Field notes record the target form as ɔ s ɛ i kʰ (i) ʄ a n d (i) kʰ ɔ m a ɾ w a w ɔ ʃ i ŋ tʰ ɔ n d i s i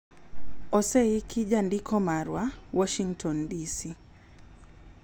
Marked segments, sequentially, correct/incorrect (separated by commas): correct, correct